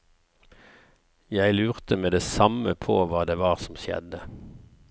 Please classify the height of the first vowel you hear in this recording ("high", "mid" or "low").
low